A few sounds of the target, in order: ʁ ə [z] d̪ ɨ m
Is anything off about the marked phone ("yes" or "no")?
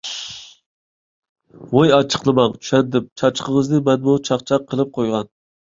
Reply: no